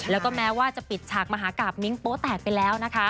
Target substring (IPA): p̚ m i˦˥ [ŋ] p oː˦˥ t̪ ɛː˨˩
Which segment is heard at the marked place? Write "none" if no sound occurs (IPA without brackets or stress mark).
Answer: ŋ